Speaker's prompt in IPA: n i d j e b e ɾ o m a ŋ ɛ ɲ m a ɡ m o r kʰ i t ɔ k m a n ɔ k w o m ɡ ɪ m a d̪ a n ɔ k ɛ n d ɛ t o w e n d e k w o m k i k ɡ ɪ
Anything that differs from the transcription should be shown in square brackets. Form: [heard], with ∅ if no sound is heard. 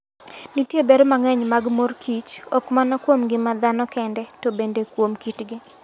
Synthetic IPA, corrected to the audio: n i [t] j e b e ɾ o m a ŋ ɛ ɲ m a ɡ m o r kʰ i [t͡ʃ] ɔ k m a n ɔ k w o m ɡ ɪ m a d̪ a n ɔ k ɛ n d ɛ t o [b] e n d e k w o m k i [t] ɡ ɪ